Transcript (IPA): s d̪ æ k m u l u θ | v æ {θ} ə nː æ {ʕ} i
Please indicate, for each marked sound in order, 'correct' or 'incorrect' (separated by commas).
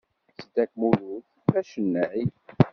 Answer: incorrect, correct